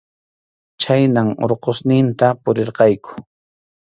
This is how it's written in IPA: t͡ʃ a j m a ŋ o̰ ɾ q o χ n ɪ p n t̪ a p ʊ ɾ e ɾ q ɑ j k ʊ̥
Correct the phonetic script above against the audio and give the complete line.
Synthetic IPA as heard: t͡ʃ a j n a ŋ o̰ ɾ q o s n ɪ n t̪ a p ʊ ɾ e ɾ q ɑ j k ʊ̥